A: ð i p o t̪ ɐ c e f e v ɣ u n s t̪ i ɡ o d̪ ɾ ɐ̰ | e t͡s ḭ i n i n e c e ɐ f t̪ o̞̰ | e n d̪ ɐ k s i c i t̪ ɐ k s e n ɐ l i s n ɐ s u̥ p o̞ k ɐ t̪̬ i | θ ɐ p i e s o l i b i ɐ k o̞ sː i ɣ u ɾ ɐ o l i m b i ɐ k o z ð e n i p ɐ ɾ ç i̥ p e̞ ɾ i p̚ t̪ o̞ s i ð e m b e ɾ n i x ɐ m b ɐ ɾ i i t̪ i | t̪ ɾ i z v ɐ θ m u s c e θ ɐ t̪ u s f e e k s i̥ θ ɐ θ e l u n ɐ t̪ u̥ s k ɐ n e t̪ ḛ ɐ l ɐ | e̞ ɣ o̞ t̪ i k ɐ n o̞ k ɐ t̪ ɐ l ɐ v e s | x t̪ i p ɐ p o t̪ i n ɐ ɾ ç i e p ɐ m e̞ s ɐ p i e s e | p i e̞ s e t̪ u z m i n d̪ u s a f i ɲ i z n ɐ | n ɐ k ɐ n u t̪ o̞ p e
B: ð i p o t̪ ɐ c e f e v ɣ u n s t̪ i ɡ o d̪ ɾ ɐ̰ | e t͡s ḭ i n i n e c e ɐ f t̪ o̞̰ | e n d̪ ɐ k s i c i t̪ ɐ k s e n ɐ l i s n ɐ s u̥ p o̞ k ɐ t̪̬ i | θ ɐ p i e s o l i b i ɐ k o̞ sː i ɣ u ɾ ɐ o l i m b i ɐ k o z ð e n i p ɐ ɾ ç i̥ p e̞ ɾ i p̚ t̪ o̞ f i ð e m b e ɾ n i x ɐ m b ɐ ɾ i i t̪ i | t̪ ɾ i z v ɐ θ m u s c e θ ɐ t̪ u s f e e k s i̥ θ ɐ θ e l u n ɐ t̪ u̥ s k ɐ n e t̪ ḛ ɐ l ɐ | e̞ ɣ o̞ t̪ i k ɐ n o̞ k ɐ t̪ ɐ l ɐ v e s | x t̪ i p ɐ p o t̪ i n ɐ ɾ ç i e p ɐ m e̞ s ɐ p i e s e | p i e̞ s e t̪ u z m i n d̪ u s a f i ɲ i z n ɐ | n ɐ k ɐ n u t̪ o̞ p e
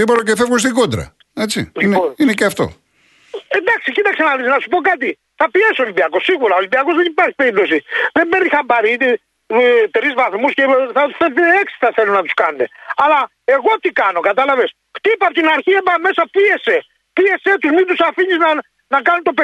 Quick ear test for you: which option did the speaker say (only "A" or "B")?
A